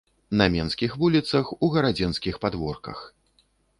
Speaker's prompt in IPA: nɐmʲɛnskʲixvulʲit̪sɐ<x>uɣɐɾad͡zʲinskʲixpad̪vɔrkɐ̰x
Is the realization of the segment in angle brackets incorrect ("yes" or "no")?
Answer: no